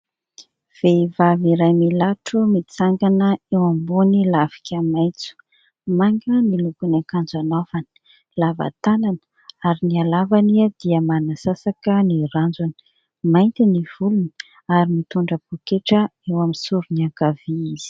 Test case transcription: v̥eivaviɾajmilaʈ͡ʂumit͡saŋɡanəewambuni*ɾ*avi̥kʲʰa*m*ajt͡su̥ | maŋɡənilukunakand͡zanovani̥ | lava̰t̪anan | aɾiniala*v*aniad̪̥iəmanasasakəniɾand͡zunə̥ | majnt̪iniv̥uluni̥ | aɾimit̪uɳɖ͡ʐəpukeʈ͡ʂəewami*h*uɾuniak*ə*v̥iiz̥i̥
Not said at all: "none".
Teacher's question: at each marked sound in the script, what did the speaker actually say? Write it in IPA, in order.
l, m, v, s, a

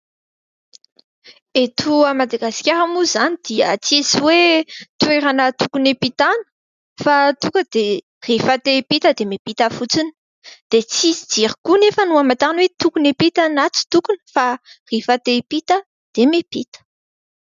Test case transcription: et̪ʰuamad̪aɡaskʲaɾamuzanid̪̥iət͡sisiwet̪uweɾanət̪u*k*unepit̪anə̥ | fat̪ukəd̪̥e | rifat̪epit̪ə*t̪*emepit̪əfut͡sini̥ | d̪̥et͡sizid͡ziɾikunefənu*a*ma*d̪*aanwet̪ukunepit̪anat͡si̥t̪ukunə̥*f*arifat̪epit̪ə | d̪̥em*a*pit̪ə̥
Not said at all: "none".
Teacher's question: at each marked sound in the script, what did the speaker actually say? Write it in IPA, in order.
k, d̪, a, t̪, f, e

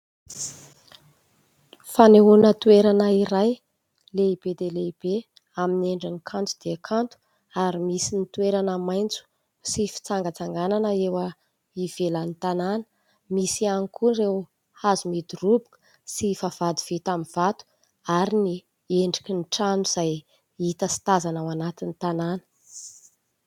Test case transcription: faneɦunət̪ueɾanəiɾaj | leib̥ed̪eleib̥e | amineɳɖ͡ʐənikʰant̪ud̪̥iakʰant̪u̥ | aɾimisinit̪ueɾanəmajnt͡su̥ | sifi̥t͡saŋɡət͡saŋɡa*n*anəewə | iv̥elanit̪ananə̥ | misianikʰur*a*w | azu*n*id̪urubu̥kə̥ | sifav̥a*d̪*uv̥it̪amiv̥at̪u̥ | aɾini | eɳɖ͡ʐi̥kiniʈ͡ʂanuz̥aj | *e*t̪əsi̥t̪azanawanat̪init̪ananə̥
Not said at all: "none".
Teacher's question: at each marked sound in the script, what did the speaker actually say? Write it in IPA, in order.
n, e, m, d̪, i

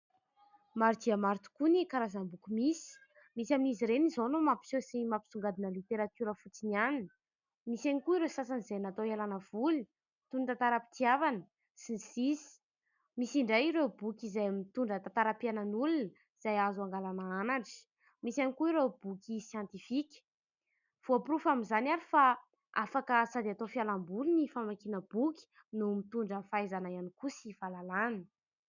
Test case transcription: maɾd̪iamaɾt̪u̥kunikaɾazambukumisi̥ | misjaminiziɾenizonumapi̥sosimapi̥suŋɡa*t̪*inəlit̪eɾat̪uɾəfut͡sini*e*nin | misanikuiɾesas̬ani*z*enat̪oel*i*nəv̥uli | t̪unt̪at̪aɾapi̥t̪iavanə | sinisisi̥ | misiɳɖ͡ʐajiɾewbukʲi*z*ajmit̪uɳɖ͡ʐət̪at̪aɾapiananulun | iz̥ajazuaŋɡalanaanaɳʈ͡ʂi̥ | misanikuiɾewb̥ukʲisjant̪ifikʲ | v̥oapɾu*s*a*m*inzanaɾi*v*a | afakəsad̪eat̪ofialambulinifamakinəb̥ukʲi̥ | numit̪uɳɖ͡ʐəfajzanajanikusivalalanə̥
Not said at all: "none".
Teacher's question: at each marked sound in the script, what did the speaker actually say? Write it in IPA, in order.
d̪, a, z, a, z, f, m, f

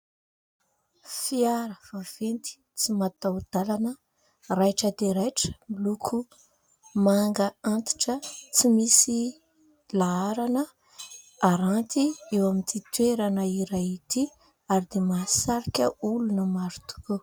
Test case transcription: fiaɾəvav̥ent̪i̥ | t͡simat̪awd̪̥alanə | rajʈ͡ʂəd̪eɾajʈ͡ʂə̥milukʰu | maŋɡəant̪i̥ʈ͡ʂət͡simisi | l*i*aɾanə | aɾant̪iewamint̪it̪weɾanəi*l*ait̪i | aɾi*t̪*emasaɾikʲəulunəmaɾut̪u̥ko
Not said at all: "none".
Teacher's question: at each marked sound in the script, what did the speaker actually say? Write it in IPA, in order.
a, ɾ, d̪

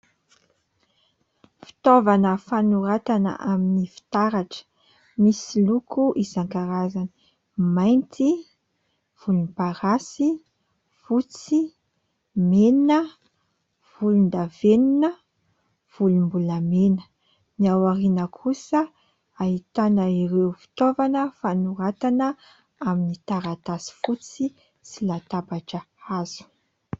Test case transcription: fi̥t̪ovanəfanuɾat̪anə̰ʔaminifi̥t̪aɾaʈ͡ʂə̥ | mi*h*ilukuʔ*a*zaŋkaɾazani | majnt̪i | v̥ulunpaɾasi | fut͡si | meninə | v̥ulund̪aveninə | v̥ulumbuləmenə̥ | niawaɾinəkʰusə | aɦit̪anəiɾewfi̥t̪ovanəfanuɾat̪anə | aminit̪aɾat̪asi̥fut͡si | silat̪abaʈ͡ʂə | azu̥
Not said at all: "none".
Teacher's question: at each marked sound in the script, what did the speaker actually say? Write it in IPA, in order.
s, i

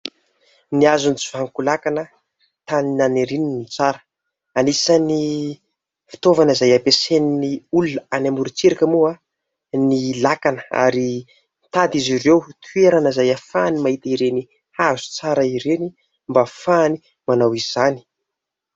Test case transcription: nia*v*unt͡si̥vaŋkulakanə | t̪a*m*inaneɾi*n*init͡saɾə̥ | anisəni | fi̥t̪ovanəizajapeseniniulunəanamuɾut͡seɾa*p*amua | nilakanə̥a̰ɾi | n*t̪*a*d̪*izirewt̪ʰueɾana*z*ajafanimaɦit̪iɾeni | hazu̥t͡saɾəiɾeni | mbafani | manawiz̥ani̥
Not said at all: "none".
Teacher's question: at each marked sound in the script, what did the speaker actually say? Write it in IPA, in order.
z, n, n, k, t̪, d̪, z

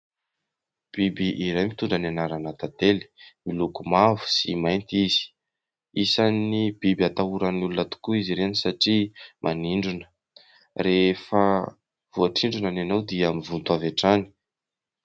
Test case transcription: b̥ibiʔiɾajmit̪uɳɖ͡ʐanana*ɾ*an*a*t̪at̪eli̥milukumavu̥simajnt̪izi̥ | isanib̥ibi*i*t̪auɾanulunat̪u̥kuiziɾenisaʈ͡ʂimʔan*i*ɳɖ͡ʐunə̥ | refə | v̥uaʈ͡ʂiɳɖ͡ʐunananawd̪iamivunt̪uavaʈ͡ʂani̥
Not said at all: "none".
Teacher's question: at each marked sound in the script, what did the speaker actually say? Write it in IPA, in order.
ɾ, a, a, i

